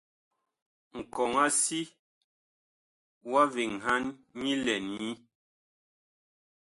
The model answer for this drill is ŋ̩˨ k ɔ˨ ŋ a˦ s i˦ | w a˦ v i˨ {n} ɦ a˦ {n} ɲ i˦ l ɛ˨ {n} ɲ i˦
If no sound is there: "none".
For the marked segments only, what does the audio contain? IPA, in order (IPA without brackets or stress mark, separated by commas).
ŋ, n, n